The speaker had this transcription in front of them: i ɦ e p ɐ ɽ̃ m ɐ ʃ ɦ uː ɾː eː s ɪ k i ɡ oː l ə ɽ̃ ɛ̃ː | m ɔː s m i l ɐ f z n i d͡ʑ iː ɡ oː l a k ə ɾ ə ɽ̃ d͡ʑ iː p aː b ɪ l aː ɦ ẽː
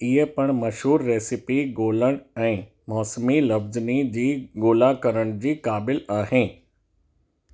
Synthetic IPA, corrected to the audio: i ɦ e p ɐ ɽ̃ m ɐ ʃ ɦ uː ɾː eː s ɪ p i ɡ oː l ə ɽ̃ ɛ̃ː | m ɔː s m i l ɐ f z n i d͡ʑ iː ɡ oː l a k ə ɾ ə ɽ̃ d͡ʑ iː k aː b ɪ l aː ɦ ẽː